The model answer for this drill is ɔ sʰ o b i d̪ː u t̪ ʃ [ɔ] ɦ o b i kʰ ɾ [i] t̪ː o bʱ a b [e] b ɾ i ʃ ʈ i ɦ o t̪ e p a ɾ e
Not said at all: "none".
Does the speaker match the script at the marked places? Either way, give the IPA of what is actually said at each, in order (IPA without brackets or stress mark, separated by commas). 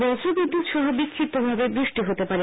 ɔ, i, e